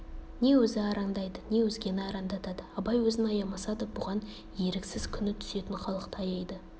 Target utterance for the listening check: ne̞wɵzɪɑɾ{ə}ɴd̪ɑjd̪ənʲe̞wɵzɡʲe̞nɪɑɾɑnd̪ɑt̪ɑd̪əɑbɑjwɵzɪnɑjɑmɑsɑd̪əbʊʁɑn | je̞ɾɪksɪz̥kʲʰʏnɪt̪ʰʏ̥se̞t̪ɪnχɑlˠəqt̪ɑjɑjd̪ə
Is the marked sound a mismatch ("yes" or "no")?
yes